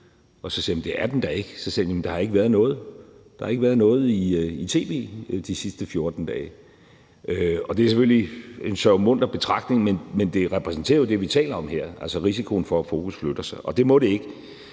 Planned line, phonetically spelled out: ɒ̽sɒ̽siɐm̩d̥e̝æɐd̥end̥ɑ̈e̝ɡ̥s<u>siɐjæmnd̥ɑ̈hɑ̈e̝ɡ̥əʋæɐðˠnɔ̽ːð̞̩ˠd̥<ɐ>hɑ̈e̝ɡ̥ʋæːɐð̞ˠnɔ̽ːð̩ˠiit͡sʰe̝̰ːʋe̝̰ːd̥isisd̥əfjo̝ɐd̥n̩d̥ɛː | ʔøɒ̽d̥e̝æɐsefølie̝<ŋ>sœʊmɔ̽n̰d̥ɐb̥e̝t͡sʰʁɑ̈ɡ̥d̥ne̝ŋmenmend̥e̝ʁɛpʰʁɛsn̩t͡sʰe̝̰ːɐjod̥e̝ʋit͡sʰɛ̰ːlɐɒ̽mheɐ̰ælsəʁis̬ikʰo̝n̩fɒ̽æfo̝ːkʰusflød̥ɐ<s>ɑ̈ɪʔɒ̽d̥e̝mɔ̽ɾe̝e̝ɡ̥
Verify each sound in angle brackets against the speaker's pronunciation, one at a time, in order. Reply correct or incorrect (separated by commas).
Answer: incorrect, incorrect, incorrect, correct